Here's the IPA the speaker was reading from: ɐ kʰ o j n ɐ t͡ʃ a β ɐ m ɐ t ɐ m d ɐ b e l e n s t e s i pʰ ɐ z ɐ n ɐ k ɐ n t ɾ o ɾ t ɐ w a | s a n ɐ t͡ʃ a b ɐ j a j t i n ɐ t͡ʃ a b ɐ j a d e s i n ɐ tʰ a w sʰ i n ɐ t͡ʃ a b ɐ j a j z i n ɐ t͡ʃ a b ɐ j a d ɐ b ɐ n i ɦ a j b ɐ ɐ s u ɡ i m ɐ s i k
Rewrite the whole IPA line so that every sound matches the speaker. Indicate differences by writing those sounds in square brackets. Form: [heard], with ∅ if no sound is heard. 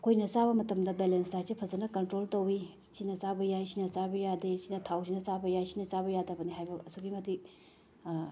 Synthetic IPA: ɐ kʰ o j n ɐ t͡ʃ a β ɐ m ɐ t ɐ m d ɐ b e l e n s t [a] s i pʰ ɐ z ɐ n ɐ k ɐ n t ɾ o [l] t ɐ w [i] | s [i] n ɐ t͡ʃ a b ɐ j a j [s] i n ɐ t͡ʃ a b ɐ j a d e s i n ɐ tʰ a w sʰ i n ɐ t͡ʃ a b ɐ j a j [s] i n ɐ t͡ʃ a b ɐ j a d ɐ b ɐ n i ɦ a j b ɐ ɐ s u ɡ i m ɐ [t] i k